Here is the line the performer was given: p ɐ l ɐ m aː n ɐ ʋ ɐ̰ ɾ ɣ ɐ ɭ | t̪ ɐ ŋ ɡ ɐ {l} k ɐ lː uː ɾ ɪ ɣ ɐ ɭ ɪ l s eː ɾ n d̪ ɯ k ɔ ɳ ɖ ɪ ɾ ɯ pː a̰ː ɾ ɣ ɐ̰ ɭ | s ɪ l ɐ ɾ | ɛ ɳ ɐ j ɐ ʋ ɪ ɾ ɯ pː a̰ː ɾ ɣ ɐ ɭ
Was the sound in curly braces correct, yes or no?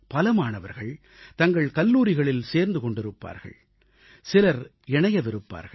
no